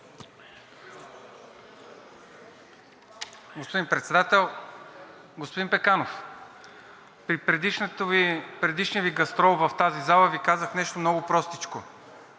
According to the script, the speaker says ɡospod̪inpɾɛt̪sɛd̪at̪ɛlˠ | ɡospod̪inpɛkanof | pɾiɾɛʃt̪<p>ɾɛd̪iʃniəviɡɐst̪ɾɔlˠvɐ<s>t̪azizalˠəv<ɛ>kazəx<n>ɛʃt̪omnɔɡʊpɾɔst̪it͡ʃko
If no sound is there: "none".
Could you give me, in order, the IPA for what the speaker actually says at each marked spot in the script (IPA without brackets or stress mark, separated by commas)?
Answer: p, f, i, n